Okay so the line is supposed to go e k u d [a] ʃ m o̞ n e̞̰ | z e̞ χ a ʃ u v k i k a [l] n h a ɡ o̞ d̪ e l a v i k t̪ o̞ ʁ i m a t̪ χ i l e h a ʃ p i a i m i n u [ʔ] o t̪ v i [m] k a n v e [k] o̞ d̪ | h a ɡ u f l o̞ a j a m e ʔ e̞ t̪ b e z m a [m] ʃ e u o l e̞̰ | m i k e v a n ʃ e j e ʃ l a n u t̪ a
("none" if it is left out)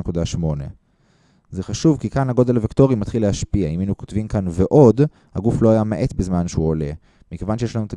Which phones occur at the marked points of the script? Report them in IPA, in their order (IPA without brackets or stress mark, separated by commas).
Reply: a, none, k, m, ʔ, n